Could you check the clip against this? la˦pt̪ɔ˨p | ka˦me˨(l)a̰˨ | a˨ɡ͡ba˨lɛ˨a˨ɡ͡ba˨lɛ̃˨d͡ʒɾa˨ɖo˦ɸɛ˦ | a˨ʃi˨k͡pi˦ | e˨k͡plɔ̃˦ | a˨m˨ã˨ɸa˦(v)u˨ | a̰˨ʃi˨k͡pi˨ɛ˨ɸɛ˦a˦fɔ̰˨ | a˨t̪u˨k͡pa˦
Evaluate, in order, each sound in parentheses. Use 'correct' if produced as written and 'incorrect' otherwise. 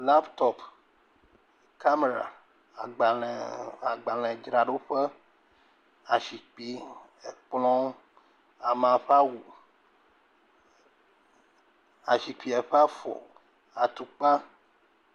incorrect, incorrect

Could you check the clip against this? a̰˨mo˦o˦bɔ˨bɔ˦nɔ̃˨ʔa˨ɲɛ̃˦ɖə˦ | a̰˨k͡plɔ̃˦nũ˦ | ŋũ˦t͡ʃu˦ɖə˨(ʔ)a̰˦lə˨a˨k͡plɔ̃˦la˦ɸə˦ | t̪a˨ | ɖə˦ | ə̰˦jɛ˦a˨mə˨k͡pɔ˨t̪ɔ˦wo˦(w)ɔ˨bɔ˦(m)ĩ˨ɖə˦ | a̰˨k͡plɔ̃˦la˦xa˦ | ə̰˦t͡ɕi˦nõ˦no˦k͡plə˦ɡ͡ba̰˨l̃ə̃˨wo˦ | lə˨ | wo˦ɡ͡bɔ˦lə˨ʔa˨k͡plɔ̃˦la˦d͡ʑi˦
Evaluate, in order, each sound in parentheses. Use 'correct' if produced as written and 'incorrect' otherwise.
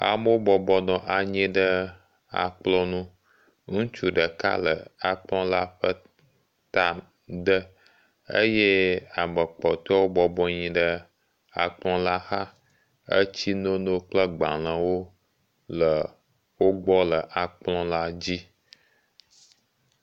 incorrect, incorrect, incorrect

